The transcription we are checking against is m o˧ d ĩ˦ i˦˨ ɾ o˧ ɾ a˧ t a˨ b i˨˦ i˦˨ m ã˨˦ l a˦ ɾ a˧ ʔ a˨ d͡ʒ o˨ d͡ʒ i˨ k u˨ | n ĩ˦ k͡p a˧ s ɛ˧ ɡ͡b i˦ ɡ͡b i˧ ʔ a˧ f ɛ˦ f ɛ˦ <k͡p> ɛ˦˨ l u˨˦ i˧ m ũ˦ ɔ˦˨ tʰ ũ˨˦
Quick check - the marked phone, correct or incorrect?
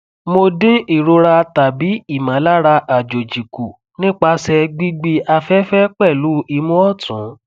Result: correct